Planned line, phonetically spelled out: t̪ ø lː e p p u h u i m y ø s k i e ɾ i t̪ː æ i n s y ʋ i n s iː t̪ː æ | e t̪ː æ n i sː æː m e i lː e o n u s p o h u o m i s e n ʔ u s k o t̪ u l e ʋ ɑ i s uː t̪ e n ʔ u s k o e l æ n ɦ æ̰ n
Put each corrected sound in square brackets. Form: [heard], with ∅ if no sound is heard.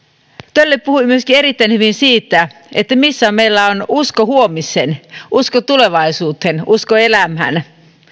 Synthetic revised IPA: t̪ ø lː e p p u h u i m y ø s k i e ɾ i t̪ː æ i n [h] y ʋ i n s iː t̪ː æ | e t̪ː æ [m] i sː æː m e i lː [æ] o n u s [k] o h u o m i s e n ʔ u s k o t̪ u l e ʋ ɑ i s uː t̪ e n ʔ u s k o e l æ [m] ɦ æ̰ n